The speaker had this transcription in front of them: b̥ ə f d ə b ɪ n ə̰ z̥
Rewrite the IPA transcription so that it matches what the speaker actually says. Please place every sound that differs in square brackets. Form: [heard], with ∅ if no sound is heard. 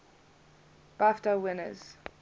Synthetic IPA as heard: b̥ [a] f [t] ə [w] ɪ n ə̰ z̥